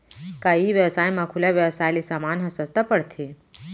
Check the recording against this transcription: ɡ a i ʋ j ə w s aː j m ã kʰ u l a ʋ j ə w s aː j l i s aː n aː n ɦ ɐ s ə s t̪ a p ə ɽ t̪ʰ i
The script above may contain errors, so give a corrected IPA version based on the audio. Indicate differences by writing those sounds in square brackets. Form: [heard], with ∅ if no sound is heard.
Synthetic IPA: [k] a i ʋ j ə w s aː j m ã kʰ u l a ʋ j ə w s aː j l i s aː [m] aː n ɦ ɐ s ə s t̪ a p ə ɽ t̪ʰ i